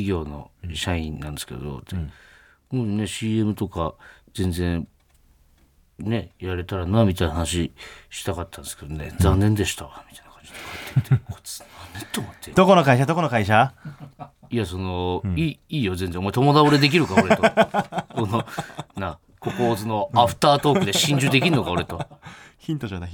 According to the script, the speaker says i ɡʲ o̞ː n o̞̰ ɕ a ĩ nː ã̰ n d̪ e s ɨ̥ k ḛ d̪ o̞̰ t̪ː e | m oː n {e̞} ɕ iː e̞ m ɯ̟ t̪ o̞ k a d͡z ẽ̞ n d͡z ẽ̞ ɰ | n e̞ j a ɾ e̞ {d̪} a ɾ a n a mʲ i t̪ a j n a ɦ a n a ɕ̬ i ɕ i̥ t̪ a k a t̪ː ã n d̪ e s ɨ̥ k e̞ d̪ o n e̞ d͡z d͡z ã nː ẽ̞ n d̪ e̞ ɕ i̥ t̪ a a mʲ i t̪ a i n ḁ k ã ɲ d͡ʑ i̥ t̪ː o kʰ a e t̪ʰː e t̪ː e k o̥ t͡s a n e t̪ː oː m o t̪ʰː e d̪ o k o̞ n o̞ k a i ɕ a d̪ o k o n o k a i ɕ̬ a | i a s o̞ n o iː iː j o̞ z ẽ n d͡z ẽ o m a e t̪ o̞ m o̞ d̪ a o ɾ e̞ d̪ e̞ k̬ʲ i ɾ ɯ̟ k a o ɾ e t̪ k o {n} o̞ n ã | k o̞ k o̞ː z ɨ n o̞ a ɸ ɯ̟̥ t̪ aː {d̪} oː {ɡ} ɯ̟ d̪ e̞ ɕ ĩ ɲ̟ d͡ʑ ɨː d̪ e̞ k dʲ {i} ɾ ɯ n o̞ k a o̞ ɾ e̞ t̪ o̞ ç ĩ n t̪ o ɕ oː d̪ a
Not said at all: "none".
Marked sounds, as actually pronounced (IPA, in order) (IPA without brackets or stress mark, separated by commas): e̞, t̪, n, t̪, k, i